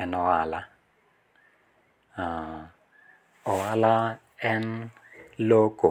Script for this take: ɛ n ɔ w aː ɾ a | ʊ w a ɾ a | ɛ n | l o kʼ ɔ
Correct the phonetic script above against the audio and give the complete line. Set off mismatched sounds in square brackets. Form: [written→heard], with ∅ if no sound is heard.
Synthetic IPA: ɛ n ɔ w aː [ɾ→l] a | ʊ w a [ɾ→l] a | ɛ n | l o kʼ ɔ